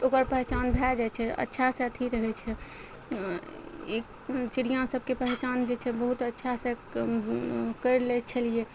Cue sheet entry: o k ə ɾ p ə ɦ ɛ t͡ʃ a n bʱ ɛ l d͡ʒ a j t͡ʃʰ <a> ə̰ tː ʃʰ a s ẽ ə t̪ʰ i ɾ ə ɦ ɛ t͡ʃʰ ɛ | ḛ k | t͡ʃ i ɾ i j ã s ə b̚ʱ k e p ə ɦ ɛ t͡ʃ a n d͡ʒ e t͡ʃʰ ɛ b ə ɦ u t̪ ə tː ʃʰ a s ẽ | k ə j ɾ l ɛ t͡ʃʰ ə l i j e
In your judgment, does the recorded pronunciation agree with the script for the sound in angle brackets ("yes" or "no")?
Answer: no